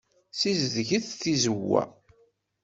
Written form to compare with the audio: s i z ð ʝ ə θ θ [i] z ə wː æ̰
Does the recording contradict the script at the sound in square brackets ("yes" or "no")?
no